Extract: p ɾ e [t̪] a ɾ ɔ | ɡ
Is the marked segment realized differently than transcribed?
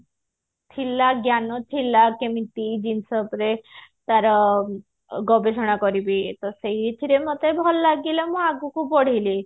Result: no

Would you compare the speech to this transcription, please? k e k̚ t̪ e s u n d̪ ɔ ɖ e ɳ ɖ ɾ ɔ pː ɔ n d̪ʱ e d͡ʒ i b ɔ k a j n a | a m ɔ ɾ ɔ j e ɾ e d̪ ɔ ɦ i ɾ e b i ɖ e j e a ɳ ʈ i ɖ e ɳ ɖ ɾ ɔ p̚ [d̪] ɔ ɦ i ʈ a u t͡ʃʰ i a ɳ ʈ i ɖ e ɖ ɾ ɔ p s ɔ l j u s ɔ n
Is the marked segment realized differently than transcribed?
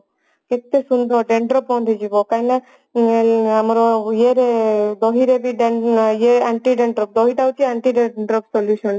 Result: no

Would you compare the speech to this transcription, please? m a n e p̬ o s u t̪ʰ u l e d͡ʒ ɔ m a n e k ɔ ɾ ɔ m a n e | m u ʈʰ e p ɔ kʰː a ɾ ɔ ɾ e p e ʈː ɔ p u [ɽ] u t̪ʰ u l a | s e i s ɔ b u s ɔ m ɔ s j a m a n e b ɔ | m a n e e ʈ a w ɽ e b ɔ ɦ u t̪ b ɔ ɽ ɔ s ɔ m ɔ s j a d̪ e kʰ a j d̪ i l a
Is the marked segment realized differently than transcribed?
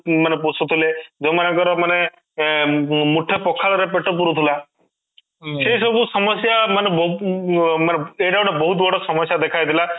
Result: yes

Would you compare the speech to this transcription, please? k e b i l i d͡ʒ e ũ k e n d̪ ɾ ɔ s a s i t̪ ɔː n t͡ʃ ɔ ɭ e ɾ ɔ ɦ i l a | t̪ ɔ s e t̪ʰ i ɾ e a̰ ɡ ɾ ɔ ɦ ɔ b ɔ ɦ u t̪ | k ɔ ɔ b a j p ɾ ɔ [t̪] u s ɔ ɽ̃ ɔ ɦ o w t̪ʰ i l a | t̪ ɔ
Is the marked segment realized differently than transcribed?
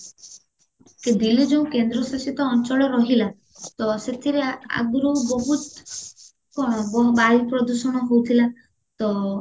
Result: yes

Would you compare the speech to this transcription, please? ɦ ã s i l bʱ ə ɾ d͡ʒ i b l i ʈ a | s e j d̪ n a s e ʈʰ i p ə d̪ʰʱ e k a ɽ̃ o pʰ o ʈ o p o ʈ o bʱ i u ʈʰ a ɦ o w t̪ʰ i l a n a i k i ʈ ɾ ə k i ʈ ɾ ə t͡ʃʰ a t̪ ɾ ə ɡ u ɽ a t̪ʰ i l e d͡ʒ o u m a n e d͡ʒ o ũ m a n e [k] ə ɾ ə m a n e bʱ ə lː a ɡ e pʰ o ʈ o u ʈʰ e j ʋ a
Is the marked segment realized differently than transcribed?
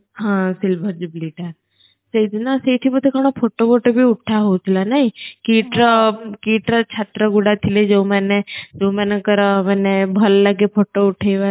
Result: no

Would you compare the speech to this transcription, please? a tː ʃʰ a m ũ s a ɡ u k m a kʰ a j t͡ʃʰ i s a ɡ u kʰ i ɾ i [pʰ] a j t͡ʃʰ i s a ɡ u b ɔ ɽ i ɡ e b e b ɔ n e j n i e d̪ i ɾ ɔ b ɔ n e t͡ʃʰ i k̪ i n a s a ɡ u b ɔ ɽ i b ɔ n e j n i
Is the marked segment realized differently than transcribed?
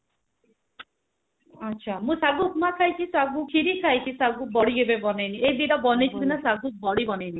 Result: yes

